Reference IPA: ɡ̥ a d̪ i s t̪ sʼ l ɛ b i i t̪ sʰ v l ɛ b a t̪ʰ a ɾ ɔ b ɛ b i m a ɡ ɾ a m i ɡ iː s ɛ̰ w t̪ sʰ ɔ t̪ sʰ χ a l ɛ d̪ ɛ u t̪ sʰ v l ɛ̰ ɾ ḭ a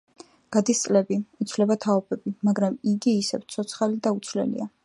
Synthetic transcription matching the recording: ɡ̥ a d̪ i s t̪ sʼ l ɛ b i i t̪ sʰ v l ɛ b a t̪ʰ a ɔ b ɛ b i m a ɡ ɾ a m i ɡ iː s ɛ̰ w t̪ sʰ ɔ t̪ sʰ χ a l i d̪ a u t̪ sʰ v l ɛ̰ l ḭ a